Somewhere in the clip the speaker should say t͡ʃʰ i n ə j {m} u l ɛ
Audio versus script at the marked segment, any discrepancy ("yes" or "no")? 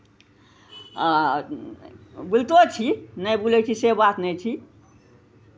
yes